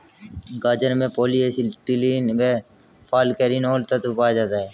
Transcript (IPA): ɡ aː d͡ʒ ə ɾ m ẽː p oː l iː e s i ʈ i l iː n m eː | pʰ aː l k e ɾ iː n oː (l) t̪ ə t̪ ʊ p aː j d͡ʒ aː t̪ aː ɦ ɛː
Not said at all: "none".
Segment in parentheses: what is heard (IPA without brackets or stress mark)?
l